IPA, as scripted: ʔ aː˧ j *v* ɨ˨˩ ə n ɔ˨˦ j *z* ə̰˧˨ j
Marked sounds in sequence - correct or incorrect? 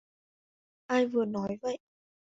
correct, incorrect

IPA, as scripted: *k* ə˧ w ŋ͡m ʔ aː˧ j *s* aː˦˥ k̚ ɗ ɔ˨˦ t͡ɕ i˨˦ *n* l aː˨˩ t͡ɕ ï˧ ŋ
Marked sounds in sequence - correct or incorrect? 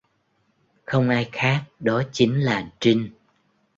incorrect, incorrect, incorrect

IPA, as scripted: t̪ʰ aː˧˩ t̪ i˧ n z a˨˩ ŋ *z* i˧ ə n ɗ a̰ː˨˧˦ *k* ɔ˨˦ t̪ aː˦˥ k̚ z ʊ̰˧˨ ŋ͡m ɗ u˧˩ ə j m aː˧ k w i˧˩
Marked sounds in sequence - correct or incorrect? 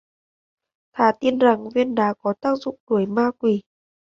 incorrect, correct

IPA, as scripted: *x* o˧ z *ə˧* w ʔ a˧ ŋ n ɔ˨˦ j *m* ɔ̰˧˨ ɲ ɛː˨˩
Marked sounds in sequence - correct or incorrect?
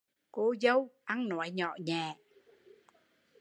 incorrect, correct, incorrect

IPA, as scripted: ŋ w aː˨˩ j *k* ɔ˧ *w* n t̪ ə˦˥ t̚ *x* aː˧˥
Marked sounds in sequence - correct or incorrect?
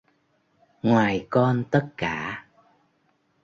correct, incorrect, incorrect

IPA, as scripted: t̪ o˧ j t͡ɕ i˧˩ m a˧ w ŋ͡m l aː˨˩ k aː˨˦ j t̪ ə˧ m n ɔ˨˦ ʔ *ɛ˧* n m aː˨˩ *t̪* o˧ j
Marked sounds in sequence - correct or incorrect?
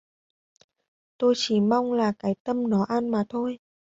incorrect, incorrect

